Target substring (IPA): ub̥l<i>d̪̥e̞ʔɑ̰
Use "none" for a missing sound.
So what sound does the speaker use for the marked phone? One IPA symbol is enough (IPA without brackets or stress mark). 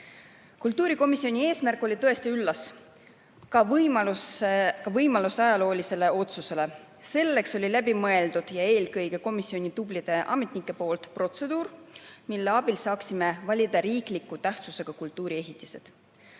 i